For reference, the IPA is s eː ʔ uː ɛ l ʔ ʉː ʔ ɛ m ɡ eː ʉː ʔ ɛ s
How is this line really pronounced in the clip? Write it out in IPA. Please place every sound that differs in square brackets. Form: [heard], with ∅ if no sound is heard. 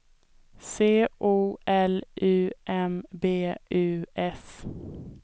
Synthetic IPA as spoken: s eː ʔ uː ɛ l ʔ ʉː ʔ ɛ m [b] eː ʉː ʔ ɛ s